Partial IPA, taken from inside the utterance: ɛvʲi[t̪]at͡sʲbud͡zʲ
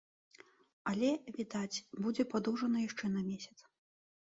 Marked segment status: incorrect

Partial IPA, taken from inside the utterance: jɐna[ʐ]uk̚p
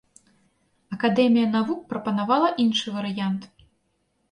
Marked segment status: incorrect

